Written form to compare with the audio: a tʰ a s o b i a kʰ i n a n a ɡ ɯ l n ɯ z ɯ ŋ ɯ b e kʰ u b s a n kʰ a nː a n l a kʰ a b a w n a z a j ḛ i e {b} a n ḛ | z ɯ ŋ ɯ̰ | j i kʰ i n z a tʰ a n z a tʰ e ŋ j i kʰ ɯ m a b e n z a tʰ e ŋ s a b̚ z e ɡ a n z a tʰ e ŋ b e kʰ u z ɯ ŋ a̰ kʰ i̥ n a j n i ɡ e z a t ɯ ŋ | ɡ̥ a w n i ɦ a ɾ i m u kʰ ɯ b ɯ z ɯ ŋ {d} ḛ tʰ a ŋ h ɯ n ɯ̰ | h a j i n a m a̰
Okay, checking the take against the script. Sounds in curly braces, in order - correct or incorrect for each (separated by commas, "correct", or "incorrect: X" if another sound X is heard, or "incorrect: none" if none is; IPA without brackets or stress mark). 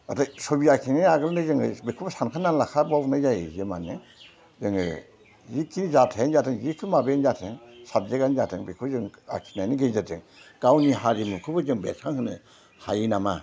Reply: incorrect: m, incorrect: b